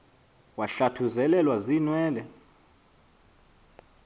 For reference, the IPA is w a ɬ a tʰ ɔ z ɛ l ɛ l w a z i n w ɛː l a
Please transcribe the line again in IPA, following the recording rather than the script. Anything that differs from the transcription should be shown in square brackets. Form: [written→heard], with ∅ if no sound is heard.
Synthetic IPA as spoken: w a ɬ a tʰ [ɔ→u] z ɛ l ɛ l w a z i n w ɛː l [a→ɛ]